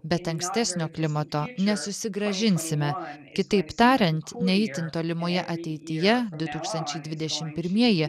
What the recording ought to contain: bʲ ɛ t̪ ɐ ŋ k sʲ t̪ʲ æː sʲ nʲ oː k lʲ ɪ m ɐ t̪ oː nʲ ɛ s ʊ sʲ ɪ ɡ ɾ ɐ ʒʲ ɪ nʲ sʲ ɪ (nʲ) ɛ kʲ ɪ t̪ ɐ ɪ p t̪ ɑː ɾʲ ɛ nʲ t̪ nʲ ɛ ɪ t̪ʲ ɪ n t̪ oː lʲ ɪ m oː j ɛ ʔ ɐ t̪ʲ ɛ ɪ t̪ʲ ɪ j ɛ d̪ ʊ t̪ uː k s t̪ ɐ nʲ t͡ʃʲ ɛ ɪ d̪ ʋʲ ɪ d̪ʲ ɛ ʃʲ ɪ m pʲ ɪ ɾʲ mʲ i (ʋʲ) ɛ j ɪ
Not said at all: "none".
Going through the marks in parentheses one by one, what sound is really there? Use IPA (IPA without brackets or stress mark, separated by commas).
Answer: mʲ, none